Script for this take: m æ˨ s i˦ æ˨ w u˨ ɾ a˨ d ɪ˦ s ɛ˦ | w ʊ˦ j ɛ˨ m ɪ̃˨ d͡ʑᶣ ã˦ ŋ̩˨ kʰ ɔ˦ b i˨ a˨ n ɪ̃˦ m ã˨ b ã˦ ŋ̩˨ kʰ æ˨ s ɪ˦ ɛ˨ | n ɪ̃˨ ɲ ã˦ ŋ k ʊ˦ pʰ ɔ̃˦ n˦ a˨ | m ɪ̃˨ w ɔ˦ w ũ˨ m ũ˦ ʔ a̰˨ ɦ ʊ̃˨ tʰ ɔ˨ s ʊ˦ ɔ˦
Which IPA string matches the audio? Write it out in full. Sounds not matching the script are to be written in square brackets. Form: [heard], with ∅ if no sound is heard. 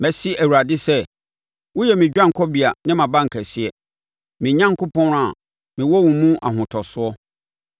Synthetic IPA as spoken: m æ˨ s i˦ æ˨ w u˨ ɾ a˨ d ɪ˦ s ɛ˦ | w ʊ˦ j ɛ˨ m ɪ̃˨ d͡ʑᶣ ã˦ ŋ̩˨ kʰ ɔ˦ b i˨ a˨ n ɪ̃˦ m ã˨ b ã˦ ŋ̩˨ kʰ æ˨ s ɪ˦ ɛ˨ | [m] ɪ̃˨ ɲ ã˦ ŋ k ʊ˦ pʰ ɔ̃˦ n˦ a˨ | m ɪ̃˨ w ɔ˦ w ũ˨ m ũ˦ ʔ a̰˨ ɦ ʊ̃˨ tʰ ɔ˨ s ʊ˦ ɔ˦

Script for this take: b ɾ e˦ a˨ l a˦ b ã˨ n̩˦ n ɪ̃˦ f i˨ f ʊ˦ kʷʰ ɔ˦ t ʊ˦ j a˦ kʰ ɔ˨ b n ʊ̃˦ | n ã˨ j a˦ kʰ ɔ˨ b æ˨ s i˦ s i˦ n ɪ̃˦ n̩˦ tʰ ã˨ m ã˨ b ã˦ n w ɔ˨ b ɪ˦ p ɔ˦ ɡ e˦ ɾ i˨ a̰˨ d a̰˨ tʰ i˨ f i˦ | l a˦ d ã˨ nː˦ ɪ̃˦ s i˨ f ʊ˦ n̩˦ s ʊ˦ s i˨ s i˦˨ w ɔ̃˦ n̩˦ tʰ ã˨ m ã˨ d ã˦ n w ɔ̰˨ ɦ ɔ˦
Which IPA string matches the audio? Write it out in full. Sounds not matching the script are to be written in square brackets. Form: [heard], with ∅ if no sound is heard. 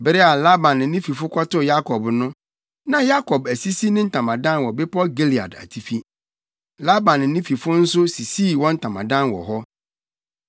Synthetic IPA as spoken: b ɾ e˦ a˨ l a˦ b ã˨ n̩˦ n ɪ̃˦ f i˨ f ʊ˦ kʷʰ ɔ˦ t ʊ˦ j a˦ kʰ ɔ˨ b n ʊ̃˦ | n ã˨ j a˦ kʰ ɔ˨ b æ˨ s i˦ s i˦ n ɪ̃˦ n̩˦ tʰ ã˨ m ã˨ [d] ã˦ n w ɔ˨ b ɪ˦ p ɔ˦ ɡ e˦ [l] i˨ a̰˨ d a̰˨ tʰ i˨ f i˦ | l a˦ [b] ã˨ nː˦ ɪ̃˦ [f] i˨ f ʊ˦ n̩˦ s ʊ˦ s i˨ s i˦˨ w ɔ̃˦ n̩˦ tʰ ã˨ m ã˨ d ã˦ n w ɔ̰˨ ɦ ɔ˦

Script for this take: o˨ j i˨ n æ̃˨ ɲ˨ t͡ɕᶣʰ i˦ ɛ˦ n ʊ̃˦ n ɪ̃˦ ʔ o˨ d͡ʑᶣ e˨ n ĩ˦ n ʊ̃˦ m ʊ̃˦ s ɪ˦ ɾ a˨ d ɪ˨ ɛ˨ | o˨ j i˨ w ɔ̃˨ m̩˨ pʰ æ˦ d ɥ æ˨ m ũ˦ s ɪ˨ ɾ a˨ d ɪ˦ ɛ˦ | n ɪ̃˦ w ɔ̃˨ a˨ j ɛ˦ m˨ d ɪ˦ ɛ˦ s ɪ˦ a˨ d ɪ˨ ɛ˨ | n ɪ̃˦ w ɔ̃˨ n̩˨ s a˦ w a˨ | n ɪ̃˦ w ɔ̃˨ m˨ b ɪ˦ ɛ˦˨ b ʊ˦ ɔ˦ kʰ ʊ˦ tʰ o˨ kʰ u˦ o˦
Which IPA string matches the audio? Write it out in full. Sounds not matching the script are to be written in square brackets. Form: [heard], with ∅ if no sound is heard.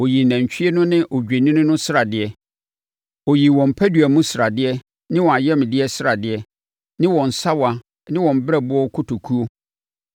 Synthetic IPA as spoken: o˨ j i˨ n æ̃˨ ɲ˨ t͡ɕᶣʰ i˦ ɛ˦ n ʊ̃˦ n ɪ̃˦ ʔ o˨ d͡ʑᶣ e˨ n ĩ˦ n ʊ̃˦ [n] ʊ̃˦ s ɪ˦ ɾ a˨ d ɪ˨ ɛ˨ | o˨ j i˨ w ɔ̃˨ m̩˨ pʰ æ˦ d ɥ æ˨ m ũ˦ s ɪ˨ ɾ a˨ d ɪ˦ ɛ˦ | n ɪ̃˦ w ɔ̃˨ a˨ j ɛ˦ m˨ d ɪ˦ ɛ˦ s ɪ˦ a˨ d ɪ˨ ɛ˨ | n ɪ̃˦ w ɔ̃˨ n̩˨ s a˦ w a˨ | n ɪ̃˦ w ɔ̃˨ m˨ b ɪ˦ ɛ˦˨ b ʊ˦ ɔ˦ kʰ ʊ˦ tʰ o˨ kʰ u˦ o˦

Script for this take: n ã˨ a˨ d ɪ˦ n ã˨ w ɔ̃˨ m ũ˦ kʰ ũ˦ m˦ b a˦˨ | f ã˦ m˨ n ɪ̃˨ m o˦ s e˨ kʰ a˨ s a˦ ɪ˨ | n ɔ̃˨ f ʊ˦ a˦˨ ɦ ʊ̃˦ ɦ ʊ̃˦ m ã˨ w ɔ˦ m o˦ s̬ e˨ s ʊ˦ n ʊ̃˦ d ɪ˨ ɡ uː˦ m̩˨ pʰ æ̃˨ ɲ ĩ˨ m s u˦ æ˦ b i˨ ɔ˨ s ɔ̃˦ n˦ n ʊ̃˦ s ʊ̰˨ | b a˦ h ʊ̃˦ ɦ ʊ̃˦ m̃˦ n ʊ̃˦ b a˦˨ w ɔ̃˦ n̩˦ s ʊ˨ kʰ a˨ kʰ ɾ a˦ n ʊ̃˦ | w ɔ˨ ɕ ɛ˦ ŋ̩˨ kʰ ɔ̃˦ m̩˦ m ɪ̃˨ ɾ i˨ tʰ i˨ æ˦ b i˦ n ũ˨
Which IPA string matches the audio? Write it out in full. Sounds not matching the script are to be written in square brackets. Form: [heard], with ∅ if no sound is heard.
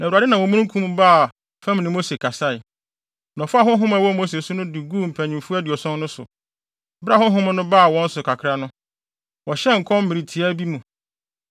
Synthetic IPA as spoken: n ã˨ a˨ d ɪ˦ n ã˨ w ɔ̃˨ m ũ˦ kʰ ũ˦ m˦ b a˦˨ | f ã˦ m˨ n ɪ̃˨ m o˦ s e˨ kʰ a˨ s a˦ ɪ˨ | n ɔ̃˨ f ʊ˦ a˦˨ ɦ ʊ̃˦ ɦ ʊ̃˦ m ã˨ w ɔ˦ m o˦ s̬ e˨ s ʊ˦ n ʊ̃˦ d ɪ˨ ɡ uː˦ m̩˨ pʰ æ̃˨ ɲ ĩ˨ m [f] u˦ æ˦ [d] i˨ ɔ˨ s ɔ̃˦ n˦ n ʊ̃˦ s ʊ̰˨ | b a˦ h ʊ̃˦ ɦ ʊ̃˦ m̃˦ n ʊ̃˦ b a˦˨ w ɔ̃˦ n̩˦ s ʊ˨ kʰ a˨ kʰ ɾ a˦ n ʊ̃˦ | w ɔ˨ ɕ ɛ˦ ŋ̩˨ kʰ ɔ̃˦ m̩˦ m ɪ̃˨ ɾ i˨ tʰ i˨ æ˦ b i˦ [m] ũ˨

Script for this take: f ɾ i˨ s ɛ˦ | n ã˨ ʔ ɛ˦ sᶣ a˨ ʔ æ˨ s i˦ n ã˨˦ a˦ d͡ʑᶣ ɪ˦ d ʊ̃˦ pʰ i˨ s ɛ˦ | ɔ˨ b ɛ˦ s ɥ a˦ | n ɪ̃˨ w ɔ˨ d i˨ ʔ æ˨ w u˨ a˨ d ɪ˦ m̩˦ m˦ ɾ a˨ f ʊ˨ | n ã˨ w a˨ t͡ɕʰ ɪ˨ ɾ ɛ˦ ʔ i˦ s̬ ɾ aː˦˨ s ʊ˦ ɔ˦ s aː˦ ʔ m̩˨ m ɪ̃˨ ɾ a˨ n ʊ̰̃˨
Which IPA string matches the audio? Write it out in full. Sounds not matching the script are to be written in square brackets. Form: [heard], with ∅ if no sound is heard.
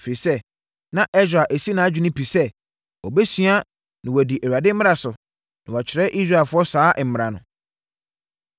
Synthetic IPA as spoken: f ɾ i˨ s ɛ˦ | n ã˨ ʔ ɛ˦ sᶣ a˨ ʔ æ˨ s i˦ n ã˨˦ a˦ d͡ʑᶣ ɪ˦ [n] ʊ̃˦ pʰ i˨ s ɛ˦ | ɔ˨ b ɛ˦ s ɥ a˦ | n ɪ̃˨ w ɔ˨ d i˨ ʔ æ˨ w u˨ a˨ d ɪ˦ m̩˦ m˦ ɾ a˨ [s] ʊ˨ | n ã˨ w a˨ t͡ɕʰ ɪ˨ ɾ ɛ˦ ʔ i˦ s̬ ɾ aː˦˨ [f] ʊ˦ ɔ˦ s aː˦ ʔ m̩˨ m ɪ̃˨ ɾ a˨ n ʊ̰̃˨

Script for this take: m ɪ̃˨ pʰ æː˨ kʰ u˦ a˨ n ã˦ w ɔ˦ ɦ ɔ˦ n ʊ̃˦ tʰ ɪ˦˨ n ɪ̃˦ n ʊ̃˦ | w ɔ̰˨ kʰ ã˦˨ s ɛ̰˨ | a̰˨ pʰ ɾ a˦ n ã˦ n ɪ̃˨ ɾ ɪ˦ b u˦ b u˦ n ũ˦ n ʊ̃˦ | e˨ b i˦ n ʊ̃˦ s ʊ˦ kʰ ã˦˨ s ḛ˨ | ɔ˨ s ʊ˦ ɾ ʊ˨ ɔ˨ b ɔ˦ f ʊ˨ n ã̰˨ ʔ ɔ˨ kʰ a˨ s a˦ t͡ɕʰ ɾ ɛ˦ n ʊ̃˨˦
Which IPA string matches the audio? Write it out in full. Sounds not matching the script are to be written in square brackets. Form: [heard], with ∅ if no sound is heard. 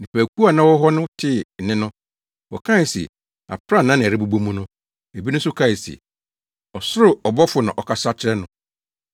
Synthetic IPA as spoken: [n] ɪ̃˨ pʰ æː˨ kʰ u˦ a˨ n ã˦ w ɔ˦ ɦ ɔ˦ n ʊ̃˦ tʰ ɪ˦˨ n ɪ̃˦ n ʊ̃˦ | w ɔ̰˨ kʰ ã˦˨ s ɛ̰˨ | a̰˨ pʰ ɾ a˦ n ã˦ n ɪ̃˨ ɾ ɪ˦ b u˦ b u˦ [m] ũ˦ n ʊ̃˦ | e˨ b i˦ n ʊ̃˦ s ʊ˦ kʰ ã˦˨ s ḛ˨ | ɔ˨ s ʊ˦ ɾ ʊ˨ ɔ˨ b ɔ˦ f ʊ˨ n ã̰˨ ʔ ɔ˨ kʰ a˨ s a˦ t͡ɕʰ ɾ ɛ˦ n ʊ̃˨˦

